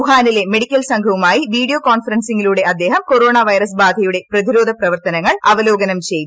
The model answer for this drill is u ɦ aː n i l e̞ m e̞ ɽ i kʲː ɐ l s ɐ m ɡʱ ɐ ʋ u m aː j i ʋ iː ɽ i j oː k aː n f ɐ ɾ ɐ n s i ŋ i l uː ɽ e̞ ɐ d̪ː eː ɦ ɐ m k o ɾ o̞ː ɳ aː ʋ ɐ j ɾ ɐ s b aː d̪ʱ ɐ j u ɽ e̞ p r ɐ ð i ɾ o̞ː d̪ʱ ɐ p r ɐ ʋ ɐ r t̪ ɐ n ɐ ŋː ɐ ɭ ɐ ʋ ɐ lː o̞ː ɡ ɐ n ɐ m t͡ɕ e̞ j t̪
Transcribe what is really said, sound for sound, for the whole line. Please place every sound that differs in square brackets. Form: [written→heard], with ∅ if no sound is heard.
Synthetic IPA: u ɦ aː n i l e̞ m e̞ ɽ i kʲː ɐ l s ɐ [m→ŋ] ɡʱ ɐ ʋ u m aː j i ʋ iː ɽ i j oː k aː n f ɐ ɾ ɐ n s i ŋ i l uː ɽ e̞ ɐ d̪ː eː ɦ ɐ m k o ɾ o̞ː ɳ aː ʋ ɐ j ɾ ɐ s b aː d̪ʱ ɐ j u ɽ e̞ p r ɐ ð i ɾ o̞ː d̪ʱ ɐ p r ɐ ʋ ɐ r t̪ ɐ n ɐ ŋː ɐ ɭ ɐ ʋ ɐ [lː→l] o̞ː ɡ ɐ n ɐ m t͡ɕ e̞ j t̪